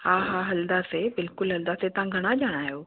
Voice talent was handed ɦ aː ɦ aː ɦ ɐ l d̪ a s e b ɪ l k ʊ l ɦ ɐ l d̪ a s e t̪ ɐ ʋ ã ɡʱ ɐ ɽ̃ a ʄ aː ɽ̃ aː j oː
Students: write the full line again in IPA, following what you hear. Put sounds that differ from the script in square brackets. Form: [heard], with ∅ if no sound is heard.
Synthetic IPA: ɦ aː ɦ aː ɦ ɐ l d̪ a s e b ɪ l k ʊ l ɦ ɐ l d̪ a s e t̪ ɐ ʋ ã ɡʱ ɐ ɽ̃ a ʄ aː ɽ̃ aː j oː

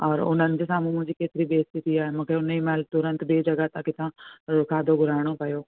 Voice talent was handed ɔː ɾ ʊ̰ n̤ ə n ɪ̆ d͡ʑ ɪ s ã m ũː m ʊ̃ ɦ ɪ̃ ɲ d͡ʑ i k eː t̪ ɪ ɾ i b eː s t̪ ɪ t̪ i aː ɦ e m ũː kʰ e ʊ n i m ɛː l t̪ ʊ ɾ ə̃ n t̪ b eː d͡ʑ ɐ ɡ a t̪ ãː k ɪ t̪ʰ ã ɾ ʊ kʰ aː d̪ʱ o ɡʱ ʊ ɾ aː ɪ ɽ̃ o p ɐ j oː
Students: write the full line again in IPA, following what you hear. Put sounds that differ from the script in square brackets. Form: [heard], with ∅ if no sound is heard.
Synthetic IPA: ɔː ɾ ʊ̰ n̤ ə n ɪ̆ d͡ʑ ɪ s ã m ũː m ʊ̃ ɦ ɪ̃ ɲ d͡ʑ i k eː t̪ ɪ ɾ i b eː s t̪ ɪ t̪ i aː ɦ e m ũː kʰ e ʊ n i m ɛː l t̪ ʊ ɾ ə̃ n t̪ b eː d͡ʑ ɐ ɡ a t̪ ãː k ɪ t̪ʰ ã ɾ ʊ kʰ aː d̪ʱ o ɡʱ ʊ ɾ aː ɪ ɽ̃ o p ɐ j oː

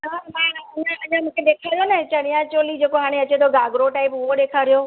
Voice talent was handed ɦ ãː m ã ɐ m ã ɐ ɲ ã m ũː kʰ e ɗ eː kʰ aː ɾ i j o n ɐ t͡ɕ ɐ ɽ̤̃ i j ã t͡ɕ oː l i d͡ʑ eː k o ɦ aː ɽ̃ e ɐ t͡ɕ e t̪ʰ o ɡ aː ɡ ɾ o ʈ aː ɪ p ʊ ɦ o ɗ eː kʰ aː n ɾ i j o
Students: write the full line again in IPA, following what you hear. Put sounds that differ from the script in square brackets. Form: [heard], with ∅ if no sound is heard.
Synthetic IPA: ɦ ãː m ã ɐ [ɲ] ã ɐ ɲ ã m ũː kʰ e ɗ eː kʰ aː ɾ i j o n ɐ t͡ɕ ɐ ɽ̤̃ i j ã t͡ɕ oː l i d͡ʑ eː k o ɦ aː ɽ̃ e ɐ t͡ɕ e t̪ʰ o ɡ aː ɡ ɾ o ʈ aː ɪ p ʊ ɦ o ɗ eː kʰ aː [∅] ɾ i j o

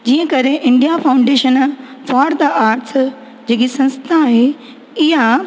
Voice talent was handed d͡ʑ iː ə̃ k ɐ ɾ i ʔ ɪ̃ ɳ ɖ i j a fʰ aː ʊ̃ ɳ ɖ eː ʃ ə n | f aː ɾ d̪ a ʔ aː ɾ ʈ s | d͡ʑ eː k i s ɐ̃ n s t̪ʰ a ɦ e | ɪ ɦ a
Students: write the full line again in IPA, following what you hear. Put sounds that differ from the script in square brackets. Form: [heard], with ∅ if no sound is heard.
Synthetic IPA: d͡ʑ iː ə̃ k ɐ ɾ [e] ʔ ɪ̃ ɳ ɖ i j a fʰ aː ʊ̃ ɳ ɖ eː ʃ ə n | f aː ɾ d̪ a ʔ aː ɾ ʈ s | d͡ʑ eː k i s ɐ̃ n s t̪ʰ a ɦ e | ɪ ɦ a

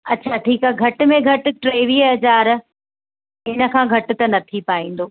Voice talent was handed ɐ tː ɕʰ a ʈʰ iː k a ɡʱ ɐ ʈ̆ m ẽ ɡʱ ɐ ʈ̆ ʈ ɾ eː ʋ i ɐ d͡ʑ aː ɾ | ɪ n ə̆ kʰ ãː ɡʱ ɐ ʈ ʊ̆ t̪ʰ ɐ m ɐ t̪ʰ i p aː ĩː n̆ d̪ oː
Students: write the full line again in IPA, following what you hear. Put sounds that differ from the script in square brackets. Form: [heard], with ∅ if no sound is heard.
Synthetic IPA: ɐ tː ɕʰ a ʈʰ iː k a ɡʱ ɐ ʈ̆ m ẽ ɡʱ ɐ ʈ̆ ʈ ɾ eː ʋ i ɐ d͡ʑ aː ɾ | ɪ n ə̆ kʰ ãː ɡʱ ɐ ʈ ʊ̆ [t̪] ɐ [n] ɐ t̪ʰ i p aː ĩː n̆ d̪ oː

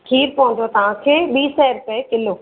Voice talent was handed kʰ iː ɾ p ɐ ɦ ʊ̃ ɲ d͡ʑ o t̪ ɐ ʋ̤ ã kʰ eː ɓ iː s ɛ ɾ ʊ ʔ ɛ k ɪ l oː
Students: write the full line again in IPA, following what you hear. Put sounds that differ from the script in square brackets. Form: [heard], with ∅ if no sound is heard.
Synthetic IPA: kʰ iː ɾ p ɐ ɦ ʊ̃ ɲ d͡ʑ o t̪ ɐ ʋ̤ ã kʰ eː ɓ iː s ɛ ɾ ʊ [p] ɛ k ɪ l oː

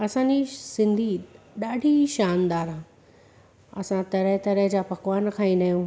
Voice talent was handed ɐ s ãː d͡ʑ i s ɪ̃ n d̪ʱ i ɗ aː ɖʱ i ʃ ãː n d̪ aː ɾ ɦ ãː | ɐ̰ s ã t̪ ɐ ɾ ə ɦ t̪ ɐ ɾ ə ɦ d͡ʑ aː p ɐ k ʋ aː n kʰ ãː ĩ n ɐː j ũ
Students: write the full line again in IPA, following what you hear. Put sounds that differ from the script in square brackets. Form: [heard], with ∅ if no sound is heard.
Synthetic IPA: ɐ s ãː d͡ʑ i s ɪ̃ n d̪ʱ i ɗ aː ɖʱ i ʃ [aː] n d̪ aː ɾ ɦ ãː | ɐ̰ s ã t̪ ɐ ɾ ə ɦ t̪ ɐ ɾ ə ɦ d͡ʑ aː p ɐ k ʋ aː n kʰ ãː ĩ n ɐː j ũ

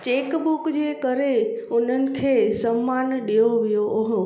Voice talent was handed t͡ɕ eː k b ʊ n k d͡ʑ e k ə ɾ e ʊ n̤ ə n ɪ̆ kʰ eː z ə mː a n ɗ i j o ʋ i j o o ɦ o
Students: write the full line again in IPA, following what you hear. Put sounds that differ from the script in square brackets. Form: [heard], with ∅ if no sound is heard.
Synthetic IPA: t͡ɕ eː k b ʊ [∅] k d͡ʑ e k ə ɾ e ʊ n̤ ə n ɪ̆ kʰ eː [s] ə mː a n ɗ i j o ʋ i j o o ɦ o

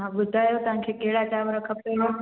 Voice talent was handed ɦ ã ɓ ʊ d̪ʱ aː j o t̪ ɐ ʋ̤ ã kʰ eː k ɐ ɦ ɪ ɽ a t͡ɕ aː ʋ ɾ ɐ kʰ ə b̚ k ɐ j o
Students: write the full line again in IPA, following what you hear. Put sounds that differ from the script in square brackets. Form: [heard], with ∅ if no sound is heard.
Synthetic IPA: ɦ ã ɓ ʊ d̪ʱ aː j o t̪ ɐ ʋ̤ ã kʰ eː k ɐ ɦ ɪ ɽ a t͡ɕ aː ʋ ɾ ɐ kʰ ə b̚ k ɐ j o

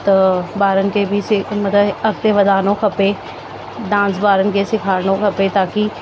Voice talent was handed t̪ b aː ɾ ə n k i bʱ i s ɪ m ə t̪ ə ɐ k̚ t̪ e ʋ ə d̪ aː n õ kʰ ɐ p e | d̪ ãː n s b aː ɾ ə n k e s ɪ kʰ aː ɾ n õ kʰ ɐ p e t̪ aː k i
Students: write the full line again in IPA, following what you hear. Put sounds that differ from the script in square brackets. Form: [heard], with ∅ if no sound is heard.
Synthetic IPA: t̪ b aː ɾ ə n k [e] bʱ i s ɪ m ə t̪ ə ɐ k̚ t̪ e ʋ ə d̪ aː n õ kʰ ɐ p e | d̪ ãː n s b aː ɾ ə n k e s ɪ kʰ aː ɾ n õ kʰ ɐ p e t̪ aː k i

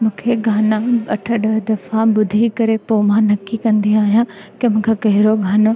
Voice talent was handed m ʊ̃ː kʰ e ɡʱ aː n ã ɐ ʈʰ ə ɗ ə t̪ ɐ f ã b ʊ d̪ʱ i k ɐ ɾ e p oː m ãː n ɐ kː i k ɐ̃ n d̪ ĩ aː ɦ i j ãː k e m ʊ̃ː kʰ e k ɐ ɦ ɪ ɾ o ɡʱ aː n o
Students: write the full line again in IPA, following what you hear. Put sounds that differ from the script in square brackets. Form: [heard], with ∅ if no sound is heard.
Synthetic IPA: m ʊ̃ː kʰ e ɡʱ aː n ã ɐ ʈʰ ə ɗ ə [d̪] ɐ f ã b ʊ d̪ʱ i k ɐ ɾ e p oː m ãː n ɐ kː i k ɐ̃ n d̪ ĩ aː ɦ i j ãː k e m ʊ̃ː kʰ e k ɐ ɦ ɪ ɾ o ɡʱ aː n o

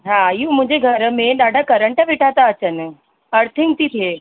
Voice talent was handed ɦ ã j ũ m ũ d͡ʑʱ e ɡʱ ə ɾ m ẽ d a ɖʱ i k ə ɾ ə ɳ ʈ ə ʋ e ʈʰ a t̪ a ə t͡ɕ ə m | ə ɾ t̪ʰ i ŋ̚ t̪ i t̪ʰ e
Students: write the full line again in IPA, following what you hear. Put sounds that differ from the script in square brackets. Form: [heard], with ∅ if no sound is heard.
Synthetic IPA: ɦ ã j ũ m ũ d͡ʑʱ e ɡʱ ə ɾ m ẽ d a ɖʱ [a] k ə ɾ ə ɳ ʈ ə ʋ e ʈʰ a t̪ a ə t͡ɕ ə [n] | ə ɾ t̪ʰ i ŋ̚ t̪ i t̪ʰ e

